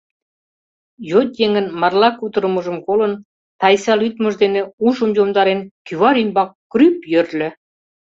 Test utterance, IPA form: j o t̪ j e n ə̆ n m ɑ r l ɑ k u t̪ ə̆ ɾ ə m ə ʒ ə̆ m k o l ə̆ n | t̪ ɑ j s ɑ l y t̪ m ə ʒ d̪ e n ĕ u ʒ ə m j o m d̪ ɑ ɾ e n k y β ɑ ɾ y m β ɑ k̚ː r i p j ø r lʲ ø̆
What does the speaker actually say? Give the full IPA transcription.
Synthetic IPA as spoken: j o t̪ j e ŋ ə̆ n m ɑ r l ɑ k u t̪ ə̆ ɾ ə m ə ʒ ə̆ m k o l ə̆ n | t̪ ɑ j s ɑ l y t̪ m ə ʒ d̪ e n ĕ u ʒ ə m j o m d̪ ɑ ɾ e n k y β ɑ ɾ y m b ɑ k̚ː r y p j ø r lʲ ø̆